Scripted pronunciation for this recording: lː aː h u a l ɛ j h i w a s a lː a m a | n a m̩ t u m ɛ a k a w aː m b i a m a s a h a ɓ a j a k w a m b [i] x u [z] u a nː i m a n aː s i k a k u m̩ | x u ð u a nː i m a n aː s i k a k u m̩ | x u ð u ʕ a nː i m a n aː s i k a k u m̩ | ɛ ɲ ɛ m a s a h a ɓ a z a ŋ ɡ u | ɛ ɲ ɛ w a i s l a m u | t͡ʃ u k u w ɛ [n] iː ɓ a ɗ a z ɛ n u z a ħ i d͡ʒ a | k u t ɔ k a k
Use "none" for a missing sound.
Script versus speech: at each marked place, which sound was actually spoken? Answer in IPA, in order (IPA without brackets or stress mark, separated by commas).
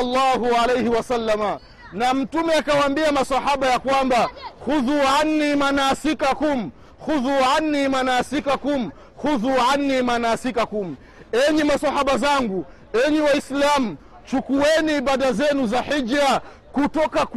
a, ð, n